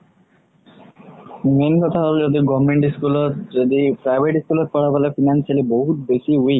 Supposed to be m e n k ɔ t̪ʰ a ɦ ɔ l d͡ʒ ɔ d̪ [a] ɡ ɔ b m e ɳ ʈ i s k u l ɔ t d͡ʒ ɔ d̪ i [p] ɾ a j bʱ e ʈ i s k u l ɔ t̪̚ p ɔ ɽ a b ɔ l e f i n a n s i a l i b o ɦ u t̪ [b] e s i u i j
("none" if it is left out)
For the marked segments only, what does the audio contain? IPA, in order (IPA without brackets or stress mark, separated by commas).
i, p, b